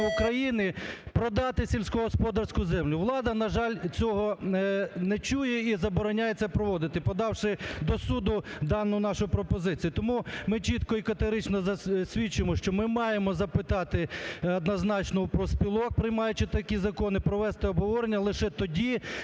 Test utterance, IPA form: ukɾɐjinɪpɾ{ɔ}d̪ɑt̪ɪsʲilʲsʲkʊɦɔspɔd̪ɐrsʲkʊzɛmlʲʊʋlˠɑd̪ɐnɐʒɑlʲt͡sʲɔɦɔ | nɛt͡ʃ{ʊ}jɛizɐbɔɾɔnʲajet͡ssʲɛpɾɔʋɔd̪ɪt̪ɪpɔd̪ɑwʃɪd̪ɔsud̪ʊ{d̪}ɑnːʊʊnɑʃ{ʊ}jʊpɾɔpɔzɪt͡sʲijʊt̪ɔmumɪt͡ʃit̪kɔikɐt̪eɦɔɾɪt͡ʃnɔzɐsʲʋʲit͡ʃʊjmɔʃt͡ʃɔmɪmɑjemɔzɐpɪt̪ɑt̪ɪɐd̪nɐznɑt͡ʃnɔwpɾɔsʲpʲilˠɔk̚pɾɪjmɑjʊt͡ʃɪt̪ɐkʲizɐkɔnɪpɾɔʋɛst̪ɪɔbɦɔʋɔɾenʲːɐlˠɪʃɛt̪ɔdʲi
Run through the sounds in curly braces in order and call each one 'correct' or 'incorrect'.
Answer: correct, incorrect, correct, correct

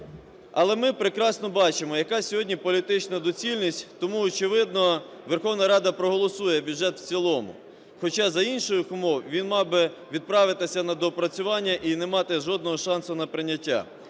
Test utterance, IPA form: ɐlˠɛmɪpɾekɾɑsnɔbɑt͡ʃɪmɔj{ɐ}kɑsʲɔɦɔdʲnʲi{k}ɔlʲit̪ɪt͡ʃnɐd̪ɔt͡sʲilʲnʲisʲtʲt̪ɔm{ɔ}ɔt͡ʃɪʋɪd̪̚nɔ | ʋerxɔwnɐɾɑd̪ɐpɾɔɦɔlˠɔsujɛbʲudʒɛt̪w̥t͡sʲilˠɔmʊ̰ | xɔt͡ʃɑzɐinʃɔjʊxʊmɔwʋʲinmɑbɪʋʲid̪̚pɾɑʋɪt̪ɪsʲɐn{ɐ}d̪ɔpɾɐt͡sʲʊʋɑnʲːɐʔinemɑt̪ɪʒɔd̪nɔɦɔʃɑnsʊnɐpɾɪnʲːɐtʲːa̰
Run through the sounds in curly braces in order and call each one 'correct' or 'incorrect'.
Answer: correct, incorrect, incorrect, correct

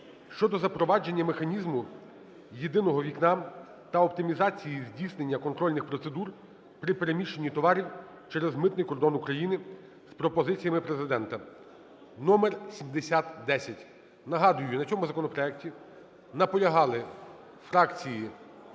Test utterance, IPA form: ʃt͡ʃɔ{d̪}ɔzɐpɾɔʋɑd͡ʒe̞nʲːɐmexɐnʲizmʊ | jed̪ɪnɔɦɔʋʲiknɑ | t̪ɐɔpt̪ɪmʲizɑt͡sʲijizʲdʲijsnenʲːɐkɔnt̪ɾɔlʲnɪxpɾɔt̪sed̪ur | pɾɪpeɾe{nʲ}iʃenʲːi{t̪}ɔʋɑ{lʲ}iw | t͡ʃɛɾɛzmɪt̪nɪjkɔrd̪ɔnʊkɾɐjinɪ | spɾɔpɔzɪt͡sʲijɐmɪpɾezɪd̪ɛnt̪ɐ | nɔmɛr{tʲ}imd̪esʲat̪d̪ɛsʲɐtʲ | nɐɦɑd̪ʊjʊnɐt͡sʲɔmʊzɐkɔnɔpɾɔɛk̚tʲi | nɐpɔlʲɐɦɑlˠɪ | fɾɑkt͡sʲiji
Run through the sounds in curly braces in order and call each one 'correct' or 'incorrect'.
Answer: correct, incorrect, correct, incorrect, incorrect

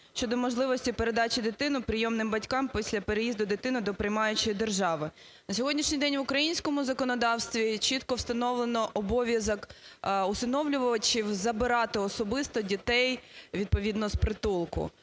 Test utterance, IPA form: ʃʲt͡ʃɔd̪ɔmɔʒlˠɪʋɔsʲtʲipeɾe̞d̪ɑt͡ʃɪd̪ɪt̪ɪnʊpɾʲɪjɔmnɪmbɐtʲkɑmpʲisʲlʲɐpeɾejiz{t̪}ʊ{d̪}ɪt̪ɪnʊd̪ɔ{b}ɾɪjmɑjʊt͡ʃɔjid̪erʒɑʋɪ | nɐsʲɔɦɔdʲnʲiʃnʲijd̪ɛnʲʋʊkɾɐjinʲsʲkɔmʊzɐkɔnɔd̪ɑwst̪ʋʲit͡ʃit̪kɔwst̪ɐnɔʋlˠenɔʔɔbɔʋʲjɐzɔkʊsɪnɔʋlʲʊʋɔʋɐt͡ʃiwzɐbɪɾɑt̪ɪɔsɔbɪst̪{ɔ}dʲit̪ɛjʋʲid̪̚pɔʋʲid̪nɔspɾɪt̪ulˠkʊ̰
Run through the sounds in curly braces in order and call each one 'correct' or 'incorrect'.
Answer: incorrect, correct, incorrect, correct

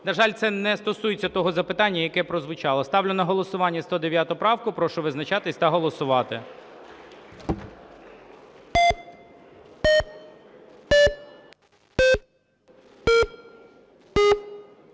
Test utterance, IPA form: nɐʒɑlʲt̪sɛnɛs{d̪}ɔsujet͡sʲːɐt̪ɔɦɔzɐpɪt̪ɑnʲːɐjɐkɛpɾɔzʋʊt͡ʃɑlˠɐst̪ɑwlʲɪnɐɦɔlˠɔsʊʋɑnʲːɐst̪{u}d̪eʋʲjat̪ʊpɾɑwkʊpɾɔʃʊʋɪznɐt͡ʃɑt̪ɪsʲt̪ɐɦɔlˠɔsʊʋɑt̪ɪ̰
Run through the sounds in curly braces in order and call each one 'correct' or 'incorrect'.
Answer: incorrect, incorrect

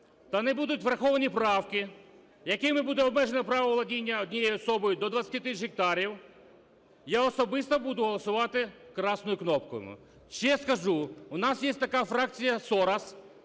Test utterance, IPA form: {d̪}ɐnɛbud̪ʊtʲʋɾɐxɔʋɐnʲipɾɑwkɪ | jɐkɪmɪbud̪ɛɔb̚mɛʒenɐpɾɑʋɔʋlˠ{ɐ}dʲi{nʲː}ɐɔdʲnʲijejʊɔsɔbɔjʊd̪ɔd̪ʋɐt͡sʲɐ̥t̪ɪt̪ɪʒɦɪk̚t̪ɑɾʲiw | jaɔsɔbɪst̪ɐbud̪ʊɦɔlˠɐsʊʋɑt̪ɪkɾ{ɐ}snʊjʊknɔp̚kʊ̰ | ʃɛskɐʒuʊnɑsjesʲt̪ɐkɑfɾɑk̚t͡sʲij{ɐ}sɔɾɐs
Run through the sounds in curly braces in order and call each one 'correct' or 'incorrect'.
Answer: incorrect, correct, correct, incorrect, correct

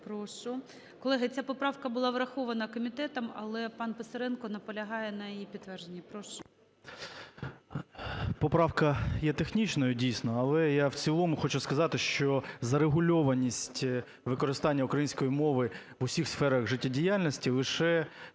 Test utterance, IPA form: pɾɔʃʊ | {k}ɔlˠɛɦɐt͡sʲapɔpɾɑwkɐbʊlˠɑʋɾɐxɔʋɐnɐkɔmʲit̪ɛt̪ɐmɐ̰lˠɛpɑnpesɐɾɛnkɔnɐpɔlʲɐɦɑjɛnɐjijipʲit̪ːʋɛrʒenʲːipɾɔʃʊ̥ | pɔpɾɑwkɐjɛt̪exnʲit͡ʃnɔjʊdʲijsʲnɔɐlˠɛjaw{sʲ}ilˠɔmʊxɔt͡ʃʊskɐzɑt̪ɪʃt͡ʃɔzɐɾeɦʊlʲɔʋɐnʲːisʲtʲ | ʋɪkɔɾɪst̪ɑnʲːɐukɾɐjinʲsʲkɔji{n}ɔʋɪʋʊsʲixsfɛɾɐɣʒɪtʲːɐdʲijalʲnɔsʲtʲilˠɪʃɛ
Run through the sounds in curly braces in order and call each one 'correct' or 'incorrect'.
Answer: correct, incorrect, incorrect

